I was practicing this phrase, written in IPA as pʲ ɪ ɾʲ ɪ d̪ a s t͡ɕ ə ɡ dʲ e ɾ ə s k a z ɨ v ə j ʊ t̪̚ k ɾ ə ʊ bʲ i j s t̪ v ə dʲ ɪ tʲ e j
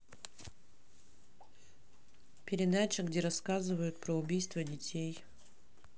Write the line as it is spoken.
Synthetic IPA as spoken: pʲ ɪ ɾʲ ɪ d̪ a t͡ɕ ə ɡ dʲ e ɾ ɐ s k a z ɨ v ə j ʊ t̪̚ p ɾ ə ʊ bʲ i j s t̪ v ə dʲ ɪ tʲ e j